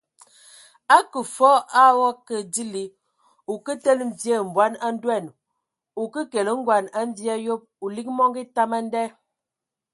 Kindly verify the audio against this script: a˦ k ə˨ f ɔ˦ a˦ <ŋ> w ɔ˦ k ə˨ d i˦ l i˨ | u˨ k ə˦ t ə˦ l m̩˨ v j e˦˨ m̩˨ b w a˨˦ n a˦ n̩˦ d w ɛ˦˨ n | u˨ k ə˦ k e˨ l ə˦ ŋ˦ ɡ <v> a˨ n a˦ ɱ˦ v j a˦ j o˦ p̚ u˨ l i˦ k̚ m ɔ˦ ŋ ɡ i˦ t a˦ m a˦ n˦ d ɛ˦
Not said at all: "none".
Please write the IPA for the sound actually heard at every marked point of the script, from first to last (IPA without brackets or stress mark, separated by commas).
none, w